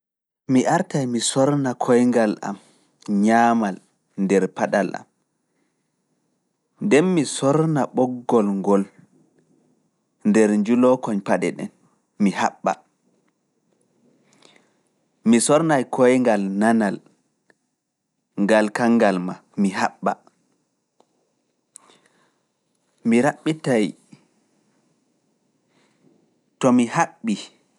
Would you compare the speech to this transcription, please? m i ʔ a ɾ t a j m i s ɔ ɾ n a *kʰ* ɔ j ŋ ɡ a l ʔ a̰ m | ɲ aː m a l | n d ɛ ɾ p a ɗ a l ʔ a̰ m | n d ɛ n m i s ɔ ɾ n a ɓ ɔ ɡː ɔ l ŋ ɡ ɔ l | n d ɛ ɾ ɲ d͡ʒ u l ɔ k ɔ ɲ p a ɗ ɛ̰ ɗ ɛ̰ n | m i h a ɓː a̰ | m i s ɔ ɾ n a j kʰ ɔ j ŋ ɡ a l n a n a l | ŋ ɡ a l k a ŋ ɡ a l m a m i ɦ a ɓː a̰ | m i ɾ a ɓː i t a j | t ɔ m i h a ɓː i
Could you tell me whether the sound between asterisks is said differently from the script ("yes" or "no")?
no